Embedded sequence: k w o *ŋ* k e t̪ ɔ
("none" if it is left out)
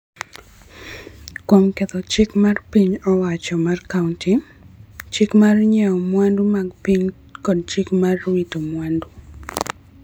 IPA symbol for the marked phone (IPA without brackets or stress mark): m